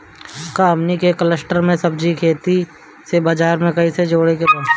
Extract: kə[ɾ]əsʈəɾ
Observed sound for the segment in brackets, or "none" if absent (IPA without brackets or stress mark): l